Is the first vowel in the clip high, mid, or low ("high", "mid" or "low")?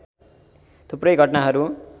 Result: high